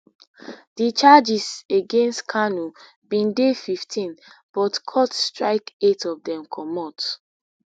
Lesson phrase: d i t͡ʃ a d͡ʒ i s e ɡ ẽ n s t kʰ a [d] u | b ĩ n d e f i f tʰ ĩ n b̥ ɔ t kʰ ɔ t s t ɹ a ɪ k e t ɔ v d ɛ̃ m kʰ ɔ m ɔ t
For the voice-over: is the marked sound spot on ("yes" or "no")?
no